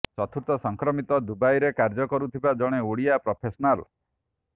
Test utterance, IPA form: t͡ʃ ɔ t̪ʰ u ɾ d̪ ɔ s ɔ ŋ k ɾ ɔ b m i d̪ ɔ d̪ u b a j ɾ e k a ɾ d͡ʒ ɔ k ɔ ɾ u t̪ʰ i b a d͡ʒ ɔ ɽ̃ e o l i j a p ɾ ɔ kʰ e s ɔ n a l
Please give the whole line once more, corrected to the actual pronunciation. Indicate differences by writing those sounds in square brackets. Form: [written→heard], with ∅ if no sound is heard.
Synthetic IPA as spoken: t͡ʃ ɔ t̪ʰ u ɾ [d̪→t̪] ɔ s ɔ ŋ k ɾ ɔ [b→∅] m i [d̪→t̪] ɔ d̪ u b a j ɾ e k a ɾ d͡ʒ ɔ k ɔ ɾ u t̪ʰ i b a d͡ʒ ɔ ɽ̃ e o [l→ɽ] i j a p ɾ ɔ [kʰ→pʰ] e s ɔ n a l